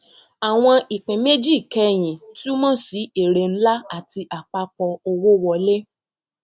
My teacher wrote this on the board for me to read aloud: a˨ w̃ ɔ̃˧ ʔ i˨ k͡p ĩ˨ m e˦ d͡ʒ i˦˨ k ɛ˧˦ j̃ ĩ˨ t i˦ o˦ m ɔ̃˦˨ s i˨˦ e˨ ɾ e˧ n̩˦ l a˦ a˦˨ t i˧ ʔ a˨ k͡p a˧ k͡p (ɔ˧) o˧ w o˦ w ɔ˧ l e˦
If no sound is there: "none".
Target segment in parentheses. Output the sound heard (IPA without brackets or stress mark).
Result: ɔ˧